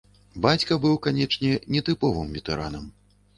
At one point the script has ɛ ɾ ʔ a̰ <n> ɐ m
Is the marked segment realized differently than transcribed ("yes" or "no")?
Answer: no